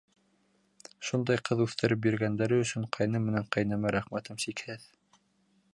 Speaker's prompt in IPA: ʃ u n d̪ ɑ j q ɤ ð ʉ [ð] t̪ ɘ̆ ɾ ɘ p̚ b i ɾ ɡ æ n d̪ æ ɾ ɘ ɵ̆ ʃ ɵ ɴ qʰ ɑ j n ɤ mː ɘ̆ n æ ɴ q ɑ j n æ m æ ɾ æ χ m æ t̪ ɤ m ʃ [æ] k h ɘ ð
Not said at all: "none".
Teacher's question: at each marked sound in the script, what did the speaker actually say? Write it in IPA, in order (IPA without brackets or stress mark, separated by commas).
θ, i